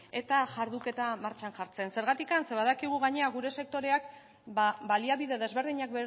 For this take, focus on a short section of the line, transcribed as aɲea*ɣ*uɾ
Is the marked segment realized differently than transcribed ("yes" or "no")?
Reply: no